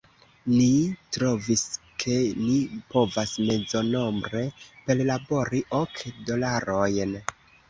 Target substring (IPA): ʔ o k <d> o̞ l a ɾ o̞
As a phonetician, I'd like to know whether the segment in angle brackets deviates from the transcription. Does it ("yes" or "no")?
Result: no